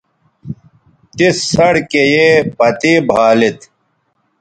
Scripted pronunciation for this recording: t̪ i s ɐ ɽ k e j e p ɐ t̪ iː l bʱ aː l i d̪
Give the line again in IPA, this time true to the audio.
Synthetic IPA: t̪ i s ɐ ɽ k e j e p ɐ t̪ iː bʱ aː l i t̪